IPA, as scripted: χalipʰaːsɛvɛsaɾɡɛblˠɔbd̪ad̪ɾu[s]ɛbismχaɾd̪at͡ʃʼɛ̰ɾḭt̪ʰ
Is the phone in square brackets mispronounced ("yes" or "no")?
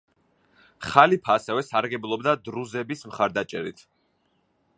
yes